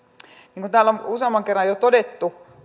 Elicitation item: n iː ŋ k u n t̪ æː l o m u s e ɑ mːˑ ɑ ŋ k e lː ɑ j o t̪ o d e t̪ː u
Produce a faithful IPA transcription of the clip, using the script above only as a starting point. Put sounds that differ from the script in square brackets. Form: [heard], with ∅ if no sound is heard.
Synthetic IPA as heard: n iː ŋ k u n t̪ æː l o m u s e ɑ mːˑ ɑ ŋ k e [rː] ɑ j o t̪ o d e t̪ː u